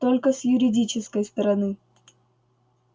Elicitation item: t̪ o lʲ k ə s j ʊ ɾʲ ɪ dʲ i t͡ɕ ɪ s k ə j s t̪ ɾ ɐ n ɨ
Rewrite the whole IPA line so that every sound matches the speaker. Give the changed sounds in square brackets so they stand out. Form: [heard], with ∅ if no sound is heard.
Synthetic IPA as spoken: t̪ o lʲ k ə s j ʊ ɾʲ ɪ dʲ i t͡ɕ ɪ s k ə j s t̪ ɾ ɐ n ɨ